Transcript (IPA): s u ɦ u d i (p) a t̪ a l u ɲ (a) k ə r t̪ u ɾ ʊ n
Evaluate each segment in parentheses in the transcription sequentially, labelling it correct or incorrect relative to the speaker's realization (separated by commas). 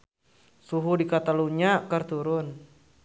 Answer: incorrect, correct